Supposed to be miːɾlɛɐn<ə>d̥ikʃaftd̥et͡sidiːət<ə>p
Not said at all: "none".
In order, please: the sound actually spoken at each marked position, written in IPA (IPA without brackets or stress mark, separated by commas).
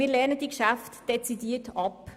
ə, ɑ